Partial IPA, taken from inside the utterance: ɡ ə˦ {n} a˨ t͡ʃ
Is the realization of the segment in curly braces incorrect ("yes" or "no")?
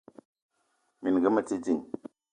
yes